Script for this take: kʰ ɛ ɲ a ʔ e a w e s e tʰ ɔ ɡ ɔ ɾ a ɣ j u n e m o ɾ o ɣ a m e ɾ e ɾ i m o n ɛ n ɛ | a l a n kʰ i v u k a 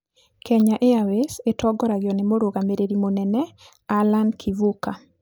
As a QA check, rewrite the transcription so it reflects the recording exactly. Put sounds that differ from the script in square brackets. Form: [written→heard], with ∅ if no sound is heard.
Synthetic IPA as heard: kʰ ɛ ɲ a ʔ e a w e s e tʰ ɔ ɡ ɔ ɾ a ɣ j [u→ɔ] n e m o ɾ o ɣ a m e ɾ e ɾ i m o n ɛ n ɛ | a l a n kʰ i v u k a